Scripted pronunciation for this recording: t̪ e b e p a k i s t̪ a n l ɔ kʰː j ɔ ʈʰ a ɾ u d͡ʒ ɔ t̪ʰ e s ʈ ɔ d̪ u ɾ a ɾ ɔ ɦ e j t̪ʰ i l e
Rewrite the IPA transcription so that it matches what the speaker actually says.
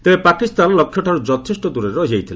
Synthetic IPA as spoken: t̪ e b e p a k i s t̪ a n l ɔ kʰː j ɔ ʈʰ a ɾ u d͡ʒ ɔ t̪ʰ e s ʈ ɔ d̪ u ɾ e ɾ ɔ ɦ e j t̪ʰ i l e